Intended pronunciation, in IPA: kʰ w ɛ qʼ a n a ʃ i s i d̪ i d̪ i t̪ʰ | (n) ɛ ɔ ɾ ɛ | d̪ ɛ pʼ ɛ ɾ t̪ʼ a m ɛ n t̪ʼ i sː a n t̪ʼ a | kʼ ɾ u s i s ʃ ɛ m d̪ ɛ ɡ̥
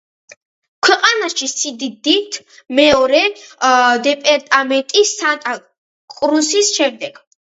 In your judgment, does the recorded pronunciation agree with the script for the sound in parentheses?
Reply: no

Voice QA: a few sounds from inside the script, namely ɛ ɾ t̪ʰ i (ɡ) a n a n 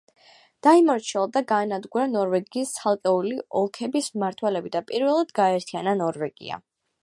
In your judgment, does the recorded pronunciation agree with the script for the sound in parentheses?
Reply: no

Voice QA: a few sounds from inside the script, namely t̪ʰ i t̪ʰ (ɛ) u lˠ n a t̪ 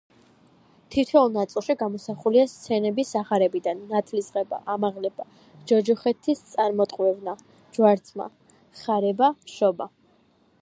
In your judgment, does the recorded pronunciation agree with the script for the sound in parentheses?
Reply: yes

